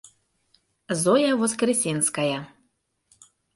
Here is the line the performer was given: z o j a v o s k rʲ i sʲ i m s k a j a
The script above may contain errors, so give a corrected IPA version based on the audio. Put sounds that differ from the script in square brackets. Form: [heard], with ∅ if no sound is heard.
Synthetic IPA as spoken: z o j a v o s k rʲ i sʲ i [n] s k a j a